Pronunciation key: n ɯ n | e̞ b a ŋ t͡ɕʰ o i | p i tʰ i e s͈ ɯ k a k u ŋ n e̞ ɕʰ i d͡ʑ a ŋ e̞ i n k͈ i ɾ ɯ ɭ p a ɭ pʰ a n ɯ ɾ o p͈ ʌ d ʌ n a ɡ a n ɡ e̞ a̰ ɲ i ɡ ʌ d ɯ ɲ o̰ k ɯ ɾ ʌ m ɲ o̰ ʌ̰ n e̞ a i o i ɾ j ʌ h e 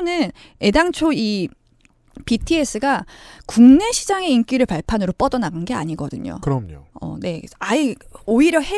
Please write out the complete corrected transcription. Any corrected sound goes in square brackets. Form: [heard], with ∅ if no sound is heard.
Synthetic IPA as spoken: n ɯ n | e̞ [d] a ŋ t͡ɕʰ o i | p i tʰ i e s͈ ɯ [ɡ] a k u ŋ n e̞ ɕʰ i d͡ʑ a ŋ e̞ i n k͈ i ɾ ɯ ɭ p a ɭ pʰ a n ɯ ɾ o p͈ ʌ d ʌ n a ɡ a n ɡ e̞ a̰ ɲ i ɡ ʌ d ɯ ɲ o̰ k ɯ ɾ ʌ m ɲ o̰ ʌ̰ n e̞ a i o i ɾ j ʌ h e